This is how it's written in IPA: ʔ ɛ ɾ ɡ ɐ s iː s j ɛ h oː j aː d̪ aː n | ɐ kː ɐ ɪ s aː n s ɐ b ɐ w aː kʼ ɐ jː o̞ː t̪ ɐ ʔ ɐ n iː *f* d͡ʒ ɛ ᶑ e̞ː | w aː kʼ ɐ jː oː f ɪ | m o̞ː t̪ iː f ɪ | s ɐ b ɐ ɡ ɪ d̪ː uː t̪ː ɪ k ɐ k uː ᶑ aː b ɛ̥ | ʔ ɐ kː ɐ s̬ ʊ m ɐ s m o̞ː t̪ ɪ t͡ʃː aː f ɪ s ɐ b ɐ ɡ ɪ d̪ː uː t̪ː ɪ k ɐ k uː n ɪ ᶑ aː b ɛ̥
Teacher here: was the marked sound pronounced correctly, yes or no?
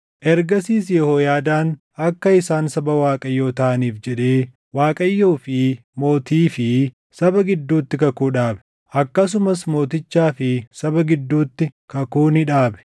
yes